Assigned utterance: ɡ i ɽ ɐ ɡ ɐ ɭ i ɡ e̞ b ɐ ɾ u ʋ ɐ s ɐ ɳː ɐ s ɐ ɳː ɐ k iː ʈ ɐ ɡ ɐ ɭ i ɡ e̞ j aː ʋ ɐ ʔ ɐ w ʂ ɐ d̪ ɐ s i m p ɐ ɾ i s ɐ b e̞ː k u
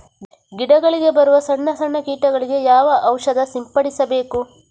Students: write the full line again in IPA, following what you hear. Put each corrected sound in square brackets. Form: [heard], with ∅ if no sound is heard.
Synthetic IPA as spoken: ɡ i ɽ ɐ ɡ ɐ ɭ i ɡ e̞ b ɐ ɾ u ʋ ɐ s ɐ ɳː ɐ s ɐ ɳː ɐ k iː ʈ ɐ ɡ ɐ ɭ i ɡ e̞ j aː ʋ ɐ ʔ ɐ w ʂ ɐ d̪ ɐ s i m p ɐ [ɽ] i s ɐ b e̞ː k u